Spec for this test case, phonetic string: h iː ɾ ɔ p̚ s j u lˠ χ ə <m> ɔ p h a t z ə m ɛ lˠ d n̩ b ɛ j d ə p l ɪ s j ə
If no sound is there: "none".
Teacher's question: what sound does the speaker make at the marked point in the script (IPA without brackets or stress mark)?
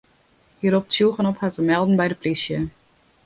n